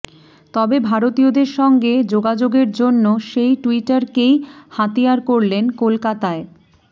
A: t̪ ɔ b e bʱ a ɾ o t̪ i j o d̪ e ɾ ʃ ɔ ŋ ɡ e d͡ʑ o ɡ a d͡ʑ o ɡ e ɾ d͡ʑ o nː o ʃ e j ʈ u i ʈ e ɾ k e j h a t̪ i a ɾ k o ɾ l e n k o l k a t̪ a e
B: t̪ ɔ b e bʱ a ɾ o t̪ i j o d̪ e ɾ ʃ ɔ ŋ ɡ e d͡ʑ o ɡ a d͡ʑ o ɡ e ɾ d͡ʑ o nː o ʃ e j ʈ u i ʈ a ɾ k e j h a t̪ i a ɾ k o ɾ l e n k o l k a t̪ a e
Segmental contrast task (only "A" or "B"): B